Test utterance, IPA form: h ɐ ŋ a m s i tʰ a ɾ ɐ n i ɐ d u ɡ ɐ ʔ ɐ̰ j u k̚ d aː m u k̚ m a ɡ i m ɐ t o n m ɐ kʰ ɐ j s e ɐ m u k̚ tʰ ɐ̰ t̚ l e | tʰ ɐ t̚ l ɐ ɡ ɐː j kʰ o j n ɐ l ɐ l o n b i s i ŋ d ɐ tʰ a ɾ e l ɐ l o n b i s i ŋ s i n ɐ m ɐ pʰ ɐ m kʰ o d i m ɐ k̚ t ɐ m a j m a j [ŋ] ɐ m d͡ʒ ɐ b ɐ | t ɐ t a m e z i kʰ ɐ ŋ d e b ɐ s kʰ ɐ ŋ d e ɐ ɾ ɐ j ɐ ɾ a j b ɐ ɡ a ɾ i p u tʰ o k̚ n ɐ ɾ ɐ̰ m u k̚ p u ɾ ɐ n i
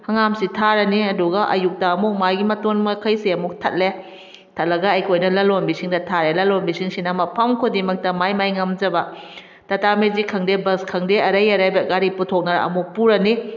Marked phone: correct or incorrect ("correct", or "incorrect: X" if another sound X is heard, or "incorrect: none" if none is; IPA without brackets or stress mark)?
correct